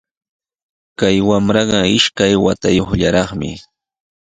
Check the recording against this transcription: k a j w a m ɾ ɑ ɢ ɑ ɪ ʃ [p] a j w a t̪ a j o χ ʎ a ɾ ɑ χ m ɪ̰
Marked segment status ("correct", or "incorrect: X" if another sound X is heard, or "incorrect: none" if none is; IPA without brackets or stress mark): incorrect: k